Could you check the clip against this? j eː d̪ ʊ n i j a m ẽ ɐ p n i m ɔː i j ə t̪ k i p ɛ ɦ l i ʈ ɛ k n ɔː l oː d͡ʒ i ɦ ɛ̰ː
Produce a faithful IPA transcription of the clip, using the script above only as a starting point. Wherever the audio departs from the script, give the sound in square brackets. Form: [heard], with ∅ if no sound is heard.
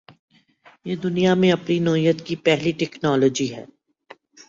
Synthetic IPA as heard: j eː d̪ ʊ n i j a m ẽ ɐ p n i [n] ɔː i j ə t̪ k i p ɛ ɦ l i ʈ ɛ k n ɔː l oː d͡ʒ i ɦ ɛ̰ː